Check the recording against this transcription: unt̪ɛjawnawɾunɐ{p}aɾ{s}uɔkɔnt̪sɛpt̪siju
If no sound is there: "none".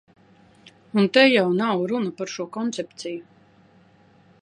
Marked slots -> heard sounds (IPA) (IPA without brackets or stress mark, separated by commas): p, ʃ